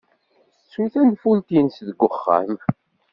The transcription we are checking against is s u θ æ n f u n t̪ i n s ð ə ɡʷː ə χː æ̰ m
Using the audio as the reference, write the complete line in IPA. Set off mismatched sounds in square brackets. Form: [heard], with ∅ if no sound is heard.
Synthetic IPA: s u θ æ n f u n t̪ i n s ð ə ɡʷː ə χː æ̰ m